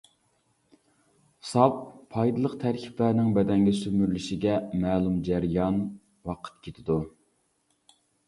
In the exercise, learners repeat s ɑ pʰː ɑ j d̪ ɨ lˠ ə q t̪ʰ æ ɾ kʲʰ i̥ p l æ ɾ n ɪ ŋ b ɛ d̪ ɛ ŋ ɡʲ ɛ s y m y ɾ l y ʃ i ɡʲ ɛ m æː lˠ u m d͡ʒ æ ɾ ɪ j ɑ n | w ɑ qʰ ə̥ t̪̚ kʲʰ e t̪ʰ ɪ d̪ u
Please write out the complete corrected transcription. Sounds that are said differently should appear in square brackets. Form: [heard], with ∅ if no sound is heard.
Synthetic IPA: s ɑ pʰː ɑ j d̪ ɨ lˠ ə q t̪ʰ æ ɾ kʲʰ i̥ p l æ ɾ n ɪ ŋ b ɛ d̪ ɛ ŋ ɡʲ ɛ s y m y ɾ l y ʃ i ɡʲ ɛ m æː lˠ u m d͡ʒ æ ɾ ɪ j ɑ n | w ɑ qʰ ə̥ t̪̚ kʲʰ e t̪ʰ ɪ d̪ u